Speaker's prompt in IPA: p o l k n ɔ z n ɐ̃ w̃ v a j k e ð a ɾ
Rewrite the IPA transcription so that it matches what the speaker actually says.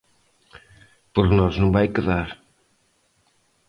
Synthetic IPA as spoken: p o ɾ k n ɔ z n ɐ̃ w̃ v a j k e ð a ɾ